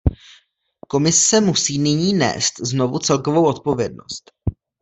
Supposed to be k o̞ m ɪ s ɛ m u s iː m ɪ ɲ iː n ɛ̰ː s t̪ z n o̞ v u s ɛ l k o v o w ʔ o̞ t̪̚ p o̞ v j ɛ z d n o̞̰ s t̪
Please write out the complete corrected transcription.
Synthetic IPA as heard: k o̞ m ɪ s ɛ m u s iː n ɪ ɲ iː n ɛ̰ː s t̪ z n o̞ v u t͡s ɛ l k o v o w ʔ o̞ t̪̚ p o̞ v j ɛ d n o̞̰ s t̪